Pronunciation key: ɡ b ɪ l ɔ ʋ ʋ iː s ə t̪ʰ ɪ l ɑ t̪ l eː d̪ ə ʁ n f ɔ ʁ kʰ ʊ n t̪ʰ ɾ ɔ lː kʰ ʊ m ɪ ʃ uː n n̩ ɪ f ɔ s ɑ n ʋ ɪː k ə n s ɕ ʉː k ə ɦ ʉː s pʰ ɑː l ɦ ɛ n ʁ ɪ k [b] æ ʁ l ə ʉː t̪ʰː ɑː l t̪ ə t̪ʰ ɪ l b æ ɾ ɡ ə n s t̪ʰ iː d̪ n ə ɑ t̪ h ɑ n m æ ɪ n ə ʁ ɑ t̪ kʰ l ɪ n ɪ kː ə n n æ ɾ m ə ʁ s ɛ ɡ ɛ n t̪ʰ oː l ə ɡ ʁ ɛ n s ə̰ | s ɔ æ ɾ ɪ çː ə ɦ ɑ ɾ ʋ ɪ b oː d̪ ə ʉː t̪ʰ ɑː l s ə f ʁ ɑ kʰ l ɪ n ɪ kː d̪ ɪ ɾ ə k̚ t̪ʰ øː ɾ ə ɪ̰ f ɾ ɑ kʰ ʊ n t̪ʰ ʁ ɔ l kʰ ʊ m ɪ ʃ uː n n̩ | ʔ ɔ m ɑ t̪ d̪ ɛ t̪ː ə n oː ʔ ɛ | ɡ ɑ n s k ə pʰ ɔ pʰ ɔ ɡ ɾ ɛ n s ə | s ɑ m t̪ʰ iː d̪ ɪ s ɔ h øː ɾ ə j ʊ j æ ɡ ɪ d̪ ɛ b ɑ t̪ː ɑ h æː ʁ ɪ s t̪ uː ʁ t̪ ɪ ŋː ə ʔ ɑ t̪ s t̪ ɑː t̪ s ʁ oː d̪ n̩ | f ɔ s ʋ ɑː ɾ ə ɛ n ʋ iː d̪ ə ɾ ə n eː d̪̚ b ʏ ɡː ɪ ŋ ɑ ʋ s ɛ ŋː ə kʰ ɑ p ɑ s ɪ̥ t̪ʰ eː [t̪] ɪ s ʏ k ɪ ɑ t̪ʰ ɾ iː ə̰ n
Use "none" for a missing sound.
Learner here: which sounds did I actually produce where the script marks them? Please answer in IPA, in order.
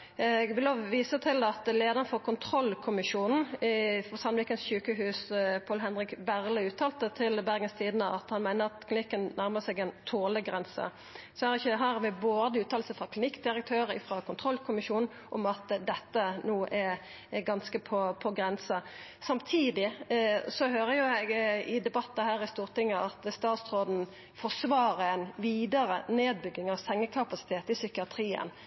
b, t̪

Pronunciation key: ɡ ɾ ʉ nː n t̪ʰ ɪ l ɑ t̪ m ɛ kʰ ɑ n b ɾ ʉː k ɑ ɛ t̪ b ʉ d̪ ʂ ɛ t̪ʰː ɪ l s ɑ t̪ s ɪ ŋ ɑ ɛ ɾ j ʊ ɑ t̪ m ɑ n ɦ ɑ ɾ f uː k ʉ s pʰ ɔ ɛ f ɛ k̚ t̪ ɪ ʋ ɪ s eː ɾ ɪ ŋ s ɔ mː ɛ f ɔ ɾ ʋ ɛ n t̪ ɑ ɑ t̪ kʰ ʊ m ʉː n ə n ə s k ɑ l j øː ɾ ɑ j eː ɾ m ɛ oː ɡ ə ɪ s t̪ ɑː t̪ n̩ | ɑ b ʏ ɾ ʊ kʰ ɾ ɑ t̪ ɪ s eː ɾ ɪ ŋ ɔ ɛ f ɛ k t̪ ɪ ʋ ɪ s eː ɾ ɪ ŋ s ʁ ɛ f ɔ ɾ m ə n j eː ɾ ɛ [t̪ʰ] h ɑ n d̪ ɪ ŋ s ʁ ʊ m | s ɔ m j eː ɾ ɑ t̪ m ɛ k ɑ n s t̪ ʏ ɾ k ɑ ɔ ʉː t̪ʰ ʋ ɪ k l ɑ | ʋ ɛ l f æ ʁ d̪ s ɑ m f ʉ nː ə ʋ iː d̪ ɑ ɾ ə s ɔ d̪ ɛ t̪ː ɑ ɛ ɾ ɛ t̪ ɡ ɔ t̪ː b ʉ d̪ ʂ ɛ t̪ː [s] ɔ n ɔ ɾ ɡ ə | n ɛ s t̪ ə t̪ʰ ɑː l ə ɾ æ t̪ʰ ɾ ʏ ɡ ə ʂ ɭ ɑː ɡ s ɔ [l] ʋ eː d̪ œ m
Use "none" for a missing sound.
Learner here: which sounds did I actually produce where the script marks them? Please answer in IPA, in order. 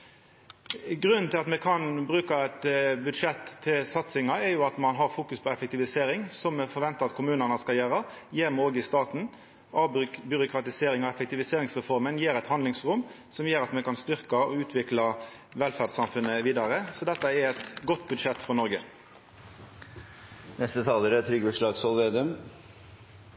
t̪, f, l

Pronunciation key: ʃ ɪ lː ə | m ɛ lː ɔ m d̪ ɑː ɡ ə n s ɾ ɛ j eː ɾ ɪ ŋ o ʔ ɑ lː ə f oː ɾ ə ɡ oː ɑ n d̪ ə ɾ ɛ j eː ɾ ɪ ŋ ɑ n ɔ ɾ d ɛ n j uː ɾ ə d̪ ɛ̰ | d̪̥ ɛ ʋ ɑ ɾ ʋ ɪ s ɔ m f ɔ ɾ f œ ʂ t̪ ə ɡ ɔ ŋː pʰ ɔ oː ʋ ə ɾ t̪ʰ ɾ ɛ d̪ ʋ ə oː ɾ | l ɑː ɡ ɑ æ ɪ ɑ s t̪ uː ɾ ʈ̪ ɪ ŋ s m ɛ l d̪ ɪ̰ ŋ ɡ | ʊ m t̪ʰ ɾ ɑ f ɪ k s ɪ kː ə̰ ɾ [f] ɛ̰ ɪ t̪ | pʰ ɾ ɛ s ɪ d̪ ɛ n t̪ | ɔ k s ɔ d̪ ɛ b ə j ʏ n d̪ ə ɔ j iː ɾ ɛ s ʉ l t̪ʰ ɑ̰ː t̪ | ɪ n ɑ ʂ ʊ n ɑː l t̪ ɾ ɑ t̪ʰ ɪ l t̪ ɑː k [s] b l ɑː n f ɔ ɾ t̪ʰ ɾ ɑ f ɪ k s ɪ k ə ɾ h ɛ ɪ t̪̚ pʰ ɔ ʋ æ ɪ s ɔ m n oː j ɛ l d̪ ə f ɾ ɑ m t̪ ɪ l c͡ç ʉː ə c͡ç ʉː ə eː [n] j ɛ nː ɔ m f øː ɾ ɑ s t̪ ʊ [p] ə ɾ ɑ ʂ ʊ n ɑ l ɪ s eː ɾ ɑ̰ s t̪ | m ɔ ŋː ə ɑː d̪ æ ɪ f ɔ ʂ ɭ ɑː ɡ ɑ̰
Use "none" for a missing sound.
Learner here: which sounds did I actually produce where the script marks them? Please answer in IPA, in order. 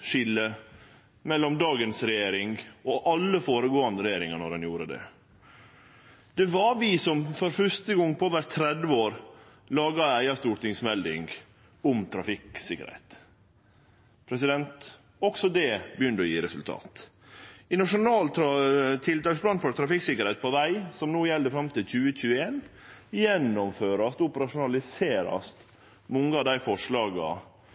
h, s, n, p

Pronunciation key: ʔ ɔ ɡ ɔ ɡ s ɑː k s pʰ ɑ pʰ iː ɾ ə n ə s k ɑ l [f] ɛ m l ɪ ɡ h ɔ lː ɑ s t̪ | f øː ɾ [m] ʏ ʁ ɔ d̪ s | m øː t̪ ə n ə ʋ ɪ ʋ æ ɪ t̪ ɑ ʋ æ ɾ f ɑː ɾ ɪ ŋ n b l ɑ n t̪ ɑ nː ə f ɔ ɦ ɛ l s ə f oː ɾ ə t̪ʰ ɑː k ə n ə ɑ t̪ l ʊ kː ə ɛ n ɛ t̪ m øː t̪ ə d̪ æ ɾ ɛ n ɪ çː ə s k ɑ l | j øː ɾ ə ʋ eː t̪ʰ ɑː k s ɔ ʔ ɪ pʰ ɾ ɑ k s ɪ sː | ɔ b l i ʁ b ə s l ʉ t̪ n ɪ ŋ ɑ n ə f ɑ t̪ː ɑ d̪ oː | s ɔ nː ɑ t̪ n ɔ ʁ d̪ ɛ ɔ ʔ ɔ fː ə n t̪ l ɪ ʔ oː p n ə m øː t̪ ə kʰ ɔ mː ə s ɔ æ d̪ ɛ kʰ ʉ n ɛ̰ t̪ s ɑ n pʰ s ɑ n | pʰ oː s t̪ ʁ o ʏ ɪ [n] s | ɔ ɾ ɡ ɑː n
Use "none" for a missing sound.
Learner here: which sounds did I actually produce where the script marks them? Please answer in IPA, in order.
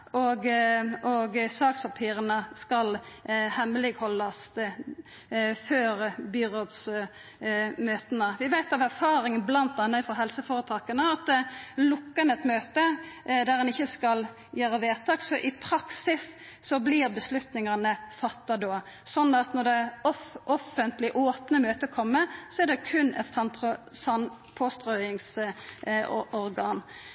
h, b, ŋ

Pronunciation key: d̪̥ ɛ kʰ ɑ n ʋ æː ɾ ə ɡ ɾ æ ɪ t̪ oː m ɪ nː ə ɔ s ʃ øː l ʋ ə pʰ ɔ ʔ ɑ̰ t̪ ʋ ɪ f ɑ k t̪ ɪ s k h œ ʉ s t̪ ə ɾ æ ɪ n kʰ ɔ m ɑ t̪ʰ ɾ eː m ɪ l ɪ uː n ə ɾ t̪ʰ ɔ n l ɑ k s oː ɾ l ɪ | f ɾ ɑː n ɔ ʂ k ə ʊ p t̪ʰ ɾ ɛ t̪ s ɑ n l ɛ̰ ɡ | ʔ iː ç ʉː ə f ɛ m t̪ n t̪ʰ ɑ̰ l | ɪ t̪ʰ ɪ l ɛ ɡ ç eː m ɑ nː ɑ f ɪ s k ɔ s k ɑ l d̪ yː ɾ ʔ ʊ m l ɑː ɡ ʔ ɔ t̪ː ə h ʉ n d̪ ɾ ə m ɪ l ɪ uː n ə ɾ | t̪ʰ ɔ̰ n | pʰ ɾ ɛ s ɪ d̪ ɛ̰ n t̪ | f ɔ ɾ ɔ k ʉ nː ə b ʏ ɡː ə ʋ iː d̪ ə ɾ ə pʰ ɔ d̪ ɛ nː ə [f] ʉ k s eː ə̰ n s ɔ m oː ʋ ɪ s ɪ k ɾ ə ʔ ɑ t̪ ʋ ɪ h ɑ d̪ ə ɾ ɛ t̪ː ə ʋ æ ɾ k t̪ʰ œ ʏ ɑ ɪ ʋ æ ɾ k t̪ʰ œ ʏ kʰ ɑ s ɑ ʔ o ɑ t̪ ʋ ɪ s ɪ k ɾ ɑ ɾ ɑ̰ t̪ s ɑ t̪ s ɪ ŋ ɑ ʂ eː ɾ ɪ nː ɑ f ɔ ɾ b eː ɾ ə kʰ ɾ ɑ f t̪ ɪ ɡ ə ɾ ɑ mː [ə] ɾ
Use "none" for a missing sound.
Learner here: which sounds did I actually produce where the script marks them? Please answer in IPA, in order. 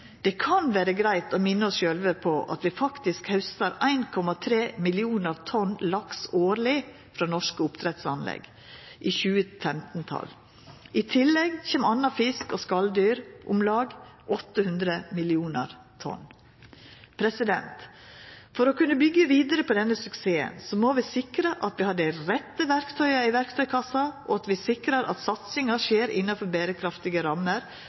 s, ə

